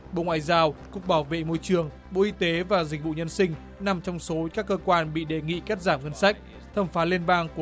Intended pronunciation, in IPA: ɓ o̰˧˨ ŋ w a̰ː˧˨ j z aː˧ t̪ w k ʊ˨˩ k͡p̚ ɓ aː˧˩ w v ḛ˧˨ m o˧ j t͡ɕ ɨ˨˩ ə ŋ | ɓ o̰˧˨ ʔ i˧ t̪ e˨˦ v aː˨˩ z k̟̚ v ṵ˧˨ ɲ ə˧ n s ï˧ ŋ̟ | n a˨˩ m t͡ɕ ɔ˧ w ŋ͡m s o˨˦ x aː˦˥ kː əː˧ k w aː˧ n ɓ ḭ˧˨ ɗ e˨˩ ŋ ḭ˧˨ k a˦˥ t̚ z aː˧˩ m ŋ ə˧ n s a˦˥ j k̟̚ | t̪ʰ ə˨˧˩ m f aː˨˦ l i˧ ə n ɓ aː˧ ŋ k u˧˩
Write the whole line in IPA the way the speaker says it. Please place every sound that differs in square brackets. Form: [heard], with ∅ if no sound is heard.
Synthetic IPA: ɓ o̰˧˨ ŋ w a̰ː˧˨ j z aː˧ [∅] w k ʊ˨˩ k͡p̚ ɓ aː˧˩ w v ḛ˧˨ m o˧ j t͡ɕ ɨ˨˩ ə ŋ | ɓ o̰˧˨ ʔ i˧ t̪ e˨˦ v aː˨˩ z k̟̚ v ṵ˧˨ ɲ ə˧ n s ï˧ ŋ̟ | n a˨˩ m t͡ɕ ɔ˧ w ŋ͡m s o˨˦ [k] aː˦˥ kː əː˧ k w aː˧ n ɓ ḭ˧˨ ɗ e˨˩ ŋ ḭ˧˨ k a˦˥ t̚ z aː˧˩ m ŋ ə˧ n s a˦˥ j k̟̚ | t̪ʰ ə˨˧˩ m f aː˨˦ l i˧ ə n ɓ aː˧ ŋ k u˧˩